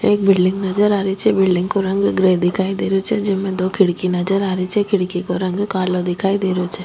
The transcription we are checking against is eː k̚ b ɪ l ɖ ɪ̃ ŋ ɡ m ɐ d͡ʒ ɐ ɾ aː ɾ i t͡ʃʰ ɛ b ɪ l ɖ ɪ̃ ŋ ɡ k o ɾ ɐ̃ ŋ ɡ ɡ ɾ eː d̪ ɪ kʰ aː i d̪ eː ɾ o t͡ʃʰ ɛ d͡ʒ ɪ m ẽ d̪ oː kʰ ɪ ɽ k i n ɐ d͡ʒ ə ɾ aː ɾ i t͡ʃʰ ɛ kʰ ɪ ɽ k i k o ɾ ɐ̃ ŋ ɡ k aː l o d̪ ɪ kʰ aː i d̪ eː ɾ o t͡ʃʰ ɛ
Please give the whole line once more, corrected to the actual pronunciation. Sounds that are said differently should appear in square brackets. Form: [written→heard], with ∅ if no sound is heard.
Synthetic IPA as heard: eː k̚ b ɪ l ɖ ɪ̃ ŋ ɡ [m→n] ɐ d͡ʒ [ɐ→ə] ɾ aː ɾ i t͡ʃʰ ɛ b ɪ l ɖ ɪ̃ ŋ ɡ k o ɾ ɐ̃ ŋ ɡ ɡ ɾ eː d̪ ɪ kʰ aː i d̪ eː ɾ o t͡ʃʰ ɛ d͡ʒ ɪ m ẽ d̪ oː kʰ ɪ ɽ k i n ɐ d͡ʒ ə ɾ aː ɾ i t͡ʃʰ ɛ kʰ ɪ ɽ k i k o ɾ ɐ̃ ŋ ɡ k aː l o d̪ ɪ kʰ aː i d̪ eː ɾ o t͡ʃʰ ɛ